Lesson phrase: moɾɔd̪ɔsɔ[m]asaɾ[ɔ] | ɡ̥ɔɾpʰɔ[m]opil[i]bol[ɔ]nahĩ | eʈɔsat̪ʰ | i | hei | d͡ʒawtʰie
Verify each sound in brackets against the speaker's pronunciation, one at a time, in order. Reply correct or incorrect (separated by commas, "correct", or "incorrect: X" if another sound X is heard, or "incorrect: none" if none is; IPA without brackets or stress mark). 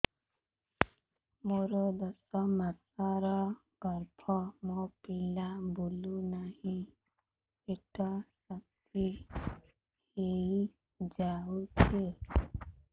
correct, correct, correct, incorrect: a, incorrect: u